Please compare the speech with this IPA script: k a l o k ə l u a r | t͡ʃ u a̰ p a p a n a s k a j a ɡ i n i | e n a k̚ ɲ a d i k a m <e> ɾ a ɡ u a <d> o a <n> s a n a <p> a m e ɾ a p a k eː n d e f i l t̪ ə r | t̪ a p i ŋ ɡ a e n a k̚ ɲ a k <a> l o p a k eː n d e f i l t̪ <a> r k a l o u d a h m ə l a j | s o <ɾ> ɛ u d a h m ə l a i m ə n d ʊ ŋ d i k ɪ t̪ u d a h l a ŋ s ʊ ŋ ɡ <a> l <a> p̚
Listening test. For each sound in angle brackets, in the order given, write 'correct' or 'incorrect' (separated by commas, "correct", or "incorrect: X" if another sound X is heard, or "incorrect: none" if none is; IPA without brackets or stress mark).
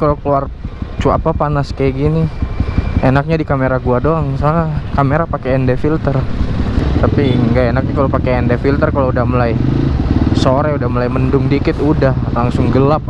correct, correct, incorrect: ŋ, incorrect: k, correct, incorrect: ə, correct, incorrect: ə, correct